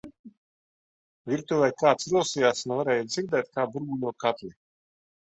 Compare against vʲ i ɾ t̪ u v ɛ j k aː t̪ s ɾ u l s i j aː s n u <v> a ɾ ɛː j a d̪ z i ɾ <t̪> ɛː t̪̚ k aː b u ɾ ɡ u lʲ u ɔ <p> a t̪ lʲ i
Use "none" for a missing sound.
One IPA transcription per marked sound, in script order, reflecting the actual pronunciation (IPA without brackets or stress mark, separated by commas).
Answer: v, d̪, k